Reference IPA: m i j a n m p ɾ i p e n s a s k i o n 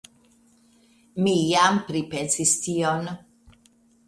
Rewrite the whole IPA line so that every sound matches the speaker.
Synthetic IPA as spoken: m i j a m p ɾ i p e n s i s t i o n